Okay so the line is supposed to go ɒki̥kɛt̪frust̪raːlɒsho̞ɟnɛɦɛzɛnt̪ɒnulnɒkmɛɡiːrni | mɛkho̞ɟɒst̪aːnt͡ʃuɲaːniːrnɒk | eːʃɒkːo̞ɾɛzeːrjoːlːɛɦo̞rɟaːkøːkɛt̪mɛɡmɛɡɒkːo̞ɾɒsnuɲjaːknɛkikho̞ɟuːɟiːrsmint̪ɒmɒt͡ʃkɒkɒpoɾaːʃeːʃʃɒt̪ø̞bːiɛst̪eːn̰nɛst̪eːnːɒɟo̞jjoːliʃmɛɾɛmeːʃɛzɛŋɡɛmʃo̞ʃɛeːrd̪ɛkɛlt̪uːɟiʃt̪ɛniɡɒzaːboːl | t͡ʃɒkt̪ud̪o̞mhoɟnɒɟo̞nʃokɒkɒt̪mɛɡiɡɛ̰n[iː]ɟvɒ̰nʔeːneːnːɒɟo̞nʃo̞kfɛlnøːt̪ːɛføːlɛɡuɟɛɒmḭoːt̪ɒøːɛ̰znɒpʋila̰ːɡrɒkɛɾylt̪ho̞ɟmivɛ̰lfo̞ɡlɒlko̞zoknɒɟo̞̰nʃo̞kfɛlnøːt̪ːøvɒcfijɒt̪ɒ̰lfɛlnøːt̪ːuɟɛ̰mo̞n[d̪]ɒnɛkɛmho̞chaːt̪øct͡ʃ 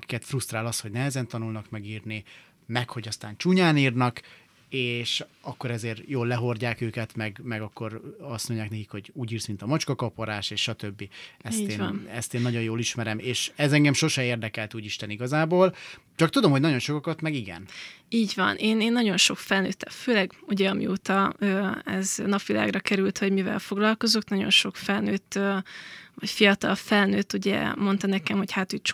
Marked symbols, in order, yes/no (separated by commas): yes, no